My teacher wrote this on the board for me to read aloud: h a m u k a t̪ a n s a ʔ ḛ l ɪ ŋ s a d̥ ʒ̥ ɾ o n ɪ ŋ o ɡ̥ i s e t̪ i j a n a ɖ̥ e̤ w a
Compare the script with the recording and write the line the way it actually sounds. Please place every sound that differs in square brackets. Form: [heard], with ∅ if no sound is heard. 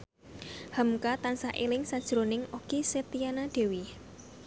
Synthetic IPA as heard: h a m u k a t̪ a n s a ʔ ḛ l ɪ ŋ s a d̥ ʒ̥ ɾ o n ɪ ŋ o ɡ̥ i s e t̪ i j a n a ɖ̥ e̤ w [i]